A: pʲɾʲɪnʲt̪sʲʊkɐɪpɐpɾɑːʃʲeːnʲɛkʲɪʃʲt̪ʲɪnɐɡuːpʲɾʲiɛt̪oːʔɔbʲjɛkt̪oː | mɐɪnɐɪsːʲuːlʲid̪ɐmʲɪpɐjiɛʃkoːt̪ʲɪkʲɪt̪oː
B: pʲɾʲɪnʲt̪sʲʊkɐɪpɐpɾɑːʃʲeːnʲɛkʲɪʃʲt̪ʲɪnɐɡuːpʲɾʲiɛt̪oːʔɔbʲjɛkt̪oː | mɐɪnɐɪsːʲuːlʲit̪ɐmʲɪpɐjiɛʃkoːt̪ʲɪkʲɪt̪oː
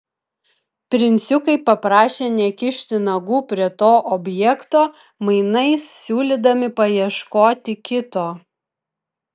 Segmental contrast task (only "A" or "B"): A